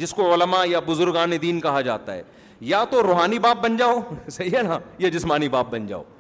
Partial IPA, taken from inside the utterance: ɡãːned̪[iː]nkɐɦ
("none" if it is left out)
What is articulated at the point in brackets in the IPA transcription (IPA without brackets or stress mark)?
iː